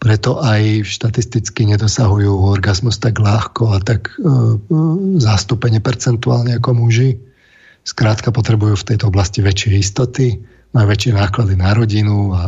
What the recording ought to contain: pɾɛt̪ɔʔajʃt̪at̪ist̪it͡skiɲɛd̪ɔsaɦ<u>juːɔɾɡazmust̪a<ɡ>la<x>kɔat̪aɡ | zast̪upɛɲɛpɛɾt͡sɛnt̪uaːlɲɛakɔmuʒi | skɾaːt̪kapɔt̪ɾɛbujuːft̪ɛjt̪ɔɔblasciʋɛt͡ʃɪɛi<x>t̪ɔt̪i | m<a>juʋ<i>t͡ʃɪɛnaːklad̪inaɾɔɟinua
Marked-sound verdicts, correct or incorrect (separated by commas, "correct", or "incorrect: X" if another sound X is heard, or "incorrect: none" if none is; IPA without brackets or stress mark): correct, correct, correct, incorrect: s, correct, incorrect: ɛ